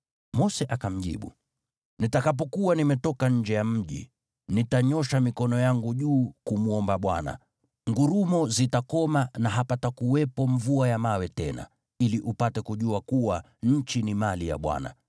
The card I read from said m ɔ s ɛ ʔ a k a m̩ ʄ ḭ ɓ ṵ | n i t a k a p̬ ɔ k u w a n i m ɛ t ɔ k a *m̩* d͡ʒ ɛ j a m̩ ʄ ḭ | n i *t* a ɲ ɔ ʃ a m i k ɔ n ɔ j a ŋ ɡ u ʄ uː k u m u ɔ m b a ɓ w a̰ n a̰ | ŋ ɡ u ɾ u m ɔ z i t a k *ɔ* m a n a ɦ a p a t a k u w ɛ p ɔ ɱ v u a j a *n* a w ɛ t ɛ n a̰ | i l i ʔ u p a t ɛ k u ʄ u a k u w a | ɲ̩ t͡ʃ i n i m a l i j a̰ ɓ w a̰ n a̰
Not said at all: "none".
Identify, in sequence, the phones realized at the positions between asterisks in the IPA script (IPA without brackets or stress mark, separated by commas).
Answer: ɲ̩, t, ɔ, m